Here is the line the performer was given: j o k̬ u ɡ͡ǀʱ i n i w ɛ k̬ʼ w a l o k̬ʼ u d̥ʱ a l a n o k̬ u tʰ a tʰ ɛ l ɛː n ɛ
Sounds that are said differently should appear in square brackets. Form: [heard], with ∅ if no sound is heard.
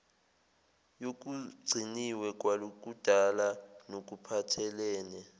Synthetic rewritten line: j o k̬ u ɡ͡ǀʱ i n i w ɛ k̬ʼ w a l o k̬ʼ u d̥ʱ a l a n o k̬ u [pʰ] a tʰ ɛ l ɛː n ɛ